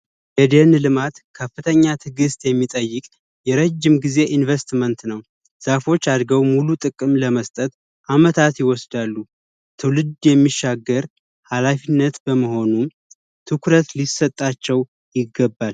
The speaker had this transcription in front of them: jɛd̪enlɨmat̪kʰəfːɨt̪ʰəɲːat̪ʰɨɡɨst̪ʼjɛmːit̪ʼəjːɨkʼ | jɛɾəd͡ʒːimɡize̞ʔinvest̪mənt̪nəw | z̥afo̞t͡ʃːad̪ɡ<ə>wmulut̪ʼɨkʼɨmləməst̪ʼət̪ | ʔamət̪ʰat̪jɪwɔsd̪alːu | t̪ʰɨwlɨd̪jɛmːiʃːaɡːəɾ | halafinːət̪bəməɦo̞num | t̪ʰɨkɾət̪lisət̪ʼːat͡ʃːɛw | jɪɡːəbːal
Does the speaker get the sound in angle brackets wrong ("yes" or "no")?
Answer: no